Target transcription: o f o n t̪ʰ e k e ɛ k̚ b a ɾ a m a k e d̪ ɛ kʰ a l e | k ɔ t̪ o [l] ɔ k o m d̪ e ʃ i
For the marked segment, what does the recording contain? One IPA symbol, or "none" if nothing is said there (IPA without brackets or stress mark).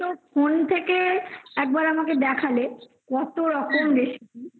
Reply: ɾ